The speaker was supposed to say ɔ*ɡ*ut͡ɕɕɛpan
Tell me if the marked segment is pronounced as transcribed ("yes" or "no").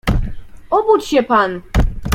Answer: no